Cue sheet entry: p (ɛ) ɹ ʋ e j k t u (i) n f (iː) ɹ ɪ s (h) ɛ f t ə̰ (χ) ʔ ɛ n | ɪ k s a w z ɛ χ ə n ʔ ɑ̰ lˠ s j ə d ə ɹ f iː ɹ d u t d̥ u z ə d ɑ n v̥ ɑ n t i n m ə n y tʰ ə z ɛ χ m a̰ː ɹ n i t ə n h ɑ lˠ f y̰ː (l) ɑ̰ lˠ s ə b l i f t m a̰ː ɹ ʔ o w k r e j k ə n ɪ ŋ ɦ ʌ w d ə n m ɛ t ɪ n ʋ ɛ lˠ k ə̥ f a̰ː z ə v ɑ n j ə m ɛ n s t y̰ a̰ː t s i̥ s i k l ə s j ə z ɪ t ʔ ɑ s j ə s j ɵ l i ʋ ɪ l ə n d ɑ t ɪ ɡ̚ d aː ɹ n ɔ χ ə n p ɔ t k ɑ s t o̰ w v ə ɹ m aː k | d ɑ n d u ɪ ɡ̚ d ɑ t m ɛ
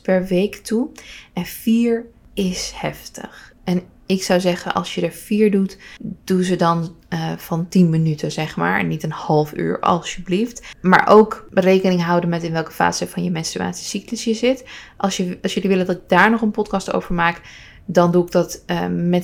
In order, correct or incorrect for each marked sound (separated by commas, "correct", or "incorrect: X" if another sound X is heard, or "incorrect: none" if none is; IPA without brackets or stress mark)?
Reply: correct, incorrect: ɛ, correct, correct, correct, incorrect: ɹ